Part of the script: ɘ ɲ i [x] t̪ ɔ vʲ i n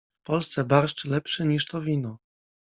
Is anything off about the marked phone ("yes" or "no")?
yes